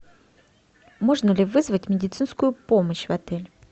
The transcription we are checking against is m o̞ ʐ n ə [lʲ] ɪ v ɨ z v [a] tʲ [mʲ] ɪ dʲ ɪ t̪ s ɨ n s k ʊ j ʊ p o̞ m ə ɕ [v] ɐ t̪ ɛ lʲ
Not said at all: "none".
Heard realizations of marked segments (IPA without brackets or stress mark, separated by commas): lʲ, ə, mʲ, v